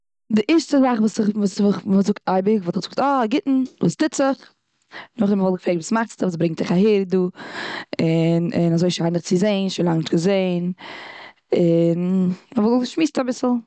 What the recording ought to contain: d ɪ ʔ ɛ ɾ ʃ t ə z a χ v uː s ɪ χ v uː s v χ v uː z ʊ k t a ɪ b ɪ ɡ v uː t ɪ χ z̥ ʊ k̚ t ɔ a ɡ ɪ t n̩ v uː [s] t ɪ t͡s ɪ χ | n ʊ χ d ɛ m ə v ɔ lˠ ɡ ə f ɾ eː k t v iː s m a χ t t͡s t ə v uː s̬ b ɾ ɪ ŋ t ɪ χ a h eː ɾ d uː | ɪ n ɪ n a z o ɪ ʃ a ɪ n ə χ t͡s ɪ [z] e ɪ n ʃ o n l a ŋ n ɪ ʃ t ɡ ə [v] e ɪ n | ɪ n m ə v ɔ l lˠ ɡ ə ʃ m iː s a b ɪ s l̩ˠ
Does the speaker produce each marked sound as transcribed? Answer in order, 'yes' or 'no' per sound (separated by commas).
yes, yes, no